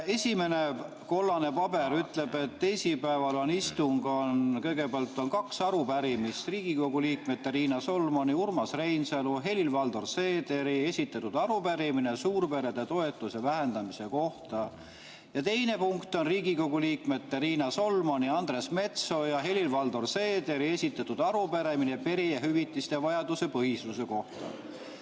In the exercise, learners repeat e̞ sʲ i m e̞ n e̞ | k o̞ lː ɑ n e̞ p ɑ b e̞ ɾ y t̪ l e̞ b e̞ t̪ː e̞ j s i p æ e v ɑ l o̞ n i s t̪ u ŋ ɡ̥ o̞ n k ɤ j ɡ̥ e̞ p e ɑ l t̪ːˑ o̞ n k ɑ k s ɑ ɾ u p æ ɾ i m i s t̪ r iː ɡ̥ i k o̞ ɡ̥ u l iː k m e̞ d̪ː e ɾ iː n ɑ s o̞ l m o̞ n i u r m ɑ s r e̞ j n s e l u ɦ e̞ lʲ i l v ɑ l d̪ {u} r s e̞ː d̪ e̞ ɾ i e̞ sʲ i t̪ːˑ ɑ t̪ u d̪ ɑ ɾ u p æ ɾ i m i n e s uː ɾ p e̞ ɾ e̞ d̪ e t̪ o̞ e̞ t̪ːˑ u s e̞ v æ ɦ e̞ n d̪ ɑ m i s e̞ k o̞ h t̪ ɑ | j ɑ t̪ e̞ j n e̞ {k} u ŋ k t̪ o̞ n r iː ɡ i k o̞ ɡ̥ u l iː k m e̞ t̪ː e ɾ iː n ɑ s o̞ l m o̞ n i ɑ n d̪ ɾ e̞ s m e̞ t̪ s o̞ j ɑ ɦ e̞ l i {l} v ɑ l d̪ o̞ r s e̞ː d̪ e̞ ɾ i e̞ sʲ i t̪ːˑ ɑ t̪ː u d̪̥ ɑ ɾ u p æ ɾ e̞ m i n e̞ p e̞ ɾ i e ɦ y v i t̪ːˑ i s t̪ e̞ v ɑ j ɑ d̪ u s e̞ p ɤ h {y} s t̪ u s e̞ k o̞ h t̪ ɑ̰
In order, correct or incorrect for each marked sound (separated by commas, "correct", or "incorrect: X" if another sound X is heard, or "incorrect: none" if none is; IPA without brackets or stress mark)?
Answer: incorrect: o, incorrect: p, correct, incorrect: i